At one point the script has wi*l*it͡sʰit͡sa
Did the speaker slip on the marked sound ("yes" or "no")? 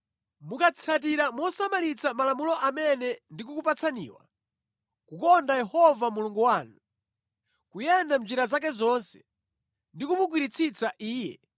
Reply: yes